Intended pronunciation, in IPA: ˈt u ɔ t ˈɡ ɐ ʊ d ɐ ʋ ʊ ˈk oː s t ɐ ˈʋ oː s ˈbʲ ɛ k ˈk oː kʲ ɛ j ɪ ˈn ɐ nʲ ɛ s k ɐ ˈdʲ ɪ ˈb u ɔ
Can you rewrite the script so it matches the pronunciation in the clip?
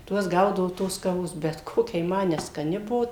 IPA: ˈt u ɔ s ˈɡ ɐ ʊ d ɐ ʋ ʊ ˈt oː s k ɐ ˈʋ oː s ˈbʲ ɛ t ˈk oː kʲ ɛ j ɪ ˈm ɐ nʲ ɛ s k ɐ ˈnʲ ɪ ˈb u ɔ